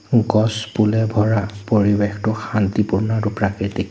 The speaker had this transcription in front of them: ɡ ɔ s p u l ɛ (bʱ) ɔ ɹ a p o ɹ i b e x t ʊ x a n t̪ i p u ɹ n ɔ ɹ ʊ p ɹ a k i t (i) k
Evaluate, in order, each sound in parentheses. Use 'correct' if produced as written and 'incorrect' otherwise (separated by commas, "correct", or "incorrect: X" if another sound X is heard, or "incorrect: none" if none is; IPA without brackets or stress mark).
correct, correct